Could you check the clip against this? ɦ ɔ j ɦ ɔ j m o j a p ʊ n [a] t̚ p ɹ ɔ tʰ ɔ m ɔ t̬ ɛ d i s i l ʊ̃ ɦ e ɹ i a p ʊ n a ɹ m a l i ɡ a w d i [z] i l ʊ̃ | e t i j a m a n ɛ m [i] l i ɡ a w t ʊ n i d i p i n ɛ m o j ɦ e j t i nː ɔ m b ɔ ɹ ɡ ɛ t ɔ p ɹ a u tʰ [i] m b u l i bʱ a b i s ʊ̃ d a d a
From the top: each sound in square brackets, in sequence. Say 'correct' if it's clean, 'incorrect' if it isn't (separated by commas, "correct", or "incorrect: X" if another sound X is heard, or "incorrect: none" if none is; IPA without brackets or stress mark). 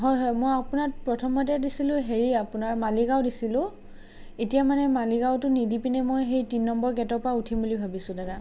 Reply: correct, incorrect: s, incorrect: a, correct